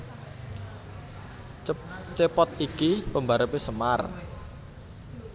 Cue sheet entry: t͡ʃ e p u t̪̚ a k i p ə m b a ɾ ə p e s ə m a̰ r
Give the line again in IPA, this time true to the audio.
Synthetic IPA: t͡ʃ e p ɔ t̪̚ i k i p ə m b a ɾ ə p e s ə m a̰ r